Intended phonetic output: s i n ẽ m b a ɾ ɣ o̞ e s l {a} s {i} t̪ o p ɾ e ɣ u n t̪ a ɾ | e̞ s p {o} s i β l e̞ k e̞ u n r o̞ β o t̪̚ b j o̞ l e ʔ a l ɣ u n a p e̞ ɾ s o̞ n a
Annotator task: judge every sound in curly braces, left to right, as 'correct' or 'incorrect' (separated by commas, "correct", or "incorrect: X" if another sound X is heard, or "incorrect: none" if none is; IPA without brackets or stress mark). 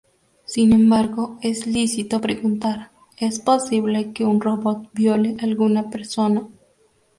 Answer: incorrect: i, correct, correct